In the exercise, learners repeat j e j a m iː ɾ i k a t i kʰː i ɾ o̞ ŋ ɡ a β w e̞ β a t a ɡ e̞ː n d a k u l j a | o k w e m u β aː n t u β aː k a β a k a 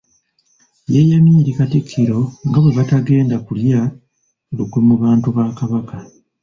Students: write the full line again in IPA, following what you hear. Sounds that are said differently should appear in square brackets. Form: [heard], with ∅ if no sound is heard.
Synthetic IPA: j e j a m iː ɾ i k a t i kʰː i ɾ o̞ ŋ ɡ a β w e̞ β a t a ɡ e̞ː n d a k u l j a | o k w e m u β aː n t u β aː k a β a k a